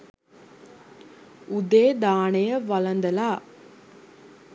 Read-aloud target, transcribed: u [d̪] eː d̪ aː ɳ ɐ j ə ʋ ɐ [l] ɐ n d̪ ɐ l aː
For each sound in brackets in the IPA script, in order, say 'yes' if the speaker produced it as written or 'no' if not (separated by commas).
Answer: yes, yes